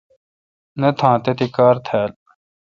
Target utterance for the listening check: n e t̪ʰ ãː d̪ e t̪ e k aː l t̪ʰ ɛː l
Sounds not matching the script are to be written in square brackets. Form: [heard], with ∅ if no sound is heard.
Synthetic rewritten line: n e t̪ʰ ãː [t̪] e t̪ [i] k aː [ɾ] t̪ʰ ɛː l